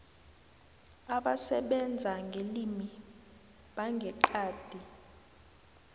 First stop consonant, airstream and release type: implosive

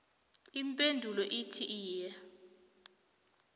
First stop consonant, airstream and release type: ejective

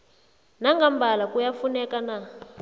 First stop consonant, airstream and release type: plain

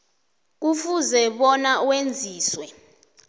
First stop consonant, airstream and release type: plain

